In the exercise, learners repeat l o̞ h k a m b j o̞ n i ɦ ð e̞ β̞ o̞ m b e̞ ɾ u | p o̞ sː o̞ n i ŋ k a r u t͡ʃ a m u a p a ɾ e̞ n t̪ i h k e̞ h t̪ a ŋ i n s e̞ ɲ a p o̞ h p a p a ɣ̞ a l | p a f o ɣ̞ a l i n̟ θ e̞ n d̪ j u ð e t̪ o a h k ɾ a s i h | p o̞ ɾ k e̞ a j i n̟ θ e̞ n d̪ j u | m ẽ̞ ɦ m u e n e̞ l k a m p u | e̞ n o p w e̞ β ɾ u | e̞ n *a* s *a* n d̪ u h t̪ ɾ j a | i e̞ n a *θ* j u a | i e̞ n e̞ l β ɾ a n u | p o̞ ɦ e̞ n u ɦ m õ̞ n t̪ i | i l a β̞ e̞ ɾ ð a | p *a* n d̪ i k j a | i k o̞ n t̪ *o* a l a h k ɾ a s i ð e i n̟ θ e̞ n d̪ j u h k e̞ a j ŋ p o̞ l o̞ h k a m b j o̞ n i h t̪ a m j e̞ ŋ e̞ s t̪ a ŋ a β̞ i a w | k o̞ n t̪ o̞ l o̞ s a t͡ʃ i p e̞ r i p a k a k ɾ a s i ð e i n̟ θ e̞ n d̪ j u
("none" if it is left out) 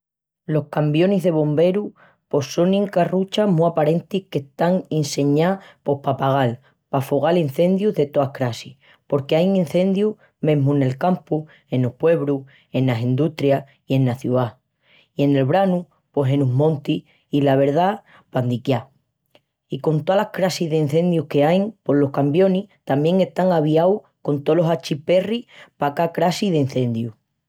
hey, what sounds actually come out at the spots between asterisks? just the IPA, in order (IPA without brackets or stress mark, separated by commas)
a, i, θ, a, o